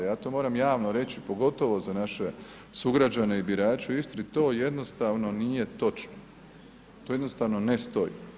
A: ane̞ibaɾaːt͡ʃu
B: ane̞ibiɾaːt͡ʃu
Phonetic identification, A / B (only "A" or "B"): B